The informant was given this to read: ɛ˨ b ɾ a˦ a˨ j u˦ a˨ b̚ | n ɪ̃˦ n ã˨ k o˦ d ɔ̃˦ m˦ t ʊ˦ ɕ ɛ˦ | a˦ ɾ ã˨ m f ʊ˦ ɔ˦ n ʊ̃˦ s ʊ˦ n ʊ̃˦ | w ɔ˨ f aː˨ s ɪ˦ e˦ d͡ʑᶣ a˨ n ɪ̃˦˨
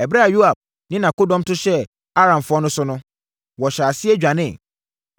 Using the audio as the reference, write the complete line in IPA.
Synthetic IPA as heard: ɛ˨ b ɾ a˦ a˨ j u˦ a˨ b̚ | n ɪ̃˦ n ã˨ k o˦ d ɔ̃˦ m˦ t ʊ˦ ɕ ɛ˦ | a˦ ɾ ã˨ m f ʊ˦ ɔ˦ n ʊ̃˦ s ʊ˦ n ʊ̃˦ | w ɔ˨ ɕ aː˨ s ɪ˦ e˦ d͡ʑᶣ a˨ n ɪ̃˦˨